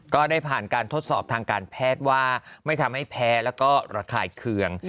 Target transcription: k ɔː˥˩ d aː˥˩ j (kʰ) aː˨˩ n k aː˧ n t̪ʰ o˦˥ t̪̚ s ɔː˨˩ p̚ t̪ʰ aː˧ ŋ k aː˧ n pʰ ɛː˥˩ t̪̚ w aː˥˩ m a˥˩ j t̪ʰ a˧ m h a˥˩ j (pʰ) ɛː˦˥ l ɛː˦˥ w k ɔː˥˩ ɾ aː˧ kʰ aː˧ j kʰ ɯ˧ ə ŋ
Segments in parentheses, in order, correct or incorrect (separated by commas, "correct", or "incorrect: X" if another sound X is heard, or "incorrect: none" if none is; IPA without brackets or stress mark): incorrect: pʰ, correct